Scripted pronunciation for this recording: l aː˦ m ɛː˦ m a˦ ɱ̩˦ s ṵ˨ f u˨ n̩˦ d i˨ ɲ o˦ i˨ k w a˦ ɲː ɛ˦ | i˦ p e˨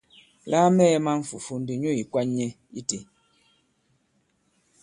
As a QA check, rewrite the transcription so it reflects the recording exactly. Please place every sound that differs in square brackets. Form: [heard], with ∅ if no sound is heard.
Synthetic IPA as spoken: l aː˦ m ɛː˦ m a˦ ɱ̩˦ [f] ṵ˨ f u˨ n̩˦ d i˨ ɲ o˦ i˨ k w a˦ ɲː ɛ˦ | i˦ [t] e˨

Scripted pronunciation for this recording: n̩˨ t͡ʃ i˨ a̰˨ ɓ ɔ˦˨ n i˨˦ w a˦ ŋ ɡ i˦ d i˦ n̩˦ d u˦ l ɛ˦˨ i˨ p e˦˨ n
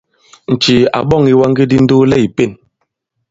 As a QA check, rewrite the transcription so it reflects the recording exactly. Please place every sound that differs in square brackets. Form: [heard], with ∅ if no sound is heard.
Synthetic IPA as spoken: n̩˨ t͡ʃ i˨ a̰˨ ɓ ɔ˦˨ [ŋ] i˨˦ w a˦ ŋ ɡ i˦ d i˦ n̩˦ d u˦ l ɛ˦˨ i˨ p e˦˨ n

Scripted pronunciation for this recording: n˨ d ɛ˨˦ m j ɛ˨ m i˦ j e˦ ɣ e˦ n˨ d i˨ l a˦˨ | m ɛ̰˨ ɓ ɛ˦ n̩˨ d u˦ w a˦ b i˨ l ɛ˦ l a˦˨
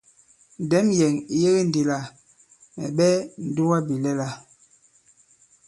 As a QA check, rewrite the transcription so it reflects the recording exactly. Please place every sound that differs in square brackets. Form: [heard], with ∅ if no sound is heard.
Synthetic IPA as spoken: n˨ d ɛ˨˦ m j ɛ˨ [ŋ] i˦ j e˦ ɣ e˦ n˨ d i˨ l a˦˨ | m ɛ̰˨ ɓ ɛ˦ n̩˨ d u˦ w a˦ b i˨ l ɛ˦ l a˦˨

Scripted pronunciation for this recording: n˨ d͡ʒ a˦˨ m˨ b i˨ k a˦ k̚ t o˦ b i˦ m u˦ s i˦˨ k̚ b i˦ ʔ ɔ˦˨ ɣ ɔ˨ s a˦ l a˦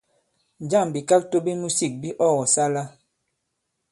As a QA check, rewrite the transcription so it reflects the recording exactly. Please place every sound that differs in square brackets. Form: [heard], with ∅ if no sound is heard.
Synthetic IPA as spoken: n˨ d͡ʒ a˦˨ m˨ b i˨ k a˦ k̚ t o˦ b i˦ m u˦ s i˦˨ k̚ b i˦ ʔ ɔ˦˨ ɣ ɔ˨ s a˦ l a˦

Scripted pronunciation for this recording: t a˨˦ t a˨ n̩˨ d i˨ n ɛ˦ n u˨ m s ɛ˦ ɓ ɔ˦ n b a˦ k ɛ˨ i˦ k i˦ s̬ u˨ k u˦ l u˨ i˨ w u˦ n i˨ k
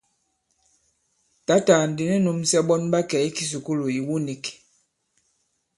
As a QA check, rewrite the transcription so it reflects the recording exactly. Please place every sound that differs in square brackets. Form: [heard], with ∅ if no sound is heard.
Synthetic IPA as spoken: t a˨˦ t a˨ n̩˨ d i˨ n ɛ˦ n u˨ m s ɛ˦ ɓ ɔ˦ n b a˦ k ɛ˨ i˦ k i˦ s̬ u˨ k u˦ l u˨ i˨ w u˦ n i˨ k

